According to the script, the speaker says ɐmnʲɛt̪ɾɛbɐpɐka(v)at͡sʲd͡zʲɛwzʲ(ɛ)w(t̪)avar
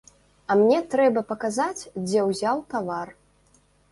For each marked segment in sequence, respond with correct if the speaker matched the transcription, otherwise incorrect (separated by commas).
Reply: incorrect, incorrect, correct